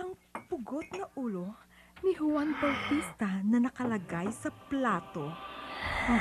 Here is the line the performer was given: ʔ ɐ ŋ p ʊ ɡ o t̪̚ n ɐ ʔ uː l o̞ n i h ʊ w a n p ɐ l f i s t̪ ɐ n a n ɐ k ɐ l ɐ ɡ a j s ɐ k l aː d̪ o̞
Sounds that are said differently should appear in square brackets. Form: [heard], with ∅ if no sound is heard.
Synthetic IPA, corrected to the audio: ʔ ɐ ŋ p ʊ ɡ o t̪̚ n ɐ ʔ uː l o̞ n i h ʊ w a n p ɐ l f i s t̪ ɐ n [ɐ] n ɐ k ɐ l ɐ ɡ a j s ɐ [p] l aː [t̪] o̞